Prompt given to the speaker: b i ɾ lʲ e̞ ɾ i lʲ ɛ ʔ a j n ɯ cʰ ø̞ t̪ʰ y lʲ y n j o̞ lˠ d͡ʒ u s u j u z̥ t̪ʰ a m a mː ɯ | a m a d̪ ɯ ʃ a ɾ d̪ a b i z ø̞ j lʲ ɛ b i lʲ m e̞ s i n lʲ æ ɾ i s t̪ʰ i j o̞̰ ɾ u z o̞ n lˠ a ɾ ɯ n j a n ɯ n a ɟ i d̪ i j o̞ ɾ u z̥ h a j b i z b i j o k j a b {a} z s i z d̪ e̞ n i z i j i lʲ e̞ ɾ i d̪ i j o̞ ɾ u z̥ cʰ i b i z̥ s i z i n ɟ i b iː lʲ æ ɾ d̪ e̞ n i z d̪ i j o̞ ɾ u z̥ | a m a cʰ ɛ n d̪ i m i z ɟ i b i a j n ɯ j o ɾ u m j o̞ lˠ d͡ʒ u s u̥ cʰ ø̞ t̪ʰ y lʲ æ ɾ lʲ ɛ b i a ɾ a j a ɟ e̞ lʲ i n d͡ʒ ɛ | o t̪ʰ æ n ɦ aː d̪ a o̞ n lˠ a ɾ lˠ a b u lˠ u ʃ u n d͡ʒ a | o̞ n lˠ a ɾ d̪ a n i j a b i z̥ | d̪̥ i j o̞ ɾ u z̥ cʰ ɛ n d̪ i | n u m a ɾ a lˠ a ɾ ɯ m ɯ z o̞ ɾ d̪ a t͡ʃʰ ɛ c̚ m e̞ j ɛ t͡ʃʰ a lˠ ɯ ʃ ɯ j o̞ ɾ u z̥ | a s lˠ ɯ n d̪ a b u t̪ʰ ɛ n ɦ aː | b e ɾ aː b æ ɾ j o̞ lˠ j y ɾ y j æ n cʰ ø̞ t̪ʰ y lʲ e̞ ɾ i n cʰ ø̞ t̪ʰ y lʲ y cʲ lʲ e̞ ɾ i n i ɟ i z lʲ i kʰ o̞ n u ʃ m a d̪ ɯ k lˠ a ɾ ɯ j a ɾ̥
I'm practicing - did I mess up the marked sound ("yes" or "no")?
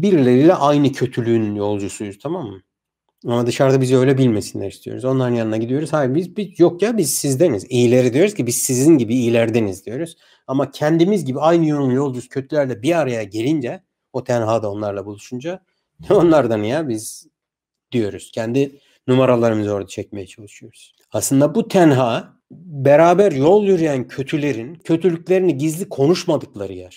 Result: yes